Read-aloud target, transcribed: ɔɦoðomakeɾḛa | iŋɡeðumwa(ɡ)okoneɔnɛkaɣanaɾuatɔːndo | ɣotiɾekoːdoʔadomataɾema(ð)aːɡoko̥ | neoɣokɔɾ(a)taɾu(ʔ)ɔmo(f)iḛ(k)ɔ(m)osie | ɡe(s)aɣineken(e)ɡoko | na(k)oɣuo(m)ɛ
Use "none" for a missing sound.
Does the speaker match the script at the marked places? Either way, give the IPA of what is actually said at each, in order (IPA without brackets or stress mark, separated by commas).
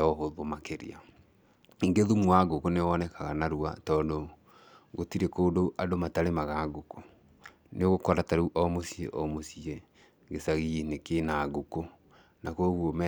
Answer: ɡ, ɣ, a, ʔ, s, ʔ, m, s, a, k, m